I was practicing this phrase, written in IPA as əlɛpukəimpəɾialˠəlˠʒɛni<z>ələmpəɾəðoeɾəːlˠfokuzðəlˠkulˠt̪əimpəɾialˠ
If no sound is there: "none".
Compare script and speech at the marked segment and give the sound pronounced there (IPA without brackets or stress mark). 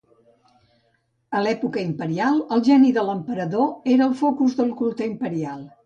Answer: ð